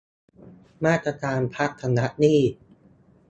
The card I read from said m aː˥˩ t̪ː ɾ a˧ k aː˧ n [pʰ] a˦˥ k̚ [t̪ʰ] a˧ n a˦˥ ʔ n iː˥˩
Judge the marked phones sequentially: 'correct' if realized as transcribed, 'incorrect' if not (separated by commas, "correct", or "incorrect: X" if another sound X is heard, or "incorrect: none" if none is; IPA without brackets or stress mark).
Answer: correct, correct